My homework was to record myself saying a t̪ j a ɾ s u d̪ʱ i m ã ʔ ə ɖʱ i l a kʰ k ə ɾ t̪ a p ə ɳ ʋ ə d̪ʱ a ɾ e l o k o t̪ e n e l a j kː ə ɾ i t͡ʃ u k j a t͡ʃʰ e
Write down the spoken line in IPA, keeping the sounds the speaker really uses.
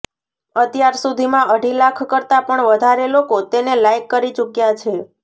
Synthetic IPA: ə t̪ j a ɾ s u d̪ʱ i m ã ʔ ə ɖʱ i l a kʰ k ə ɾ t̪ a p ə ɳ ʋ ə d̪ʱ a ɾ e l o k o t̪ e n e l a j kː ə ɾ i t͡ʃ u k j a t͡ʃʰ e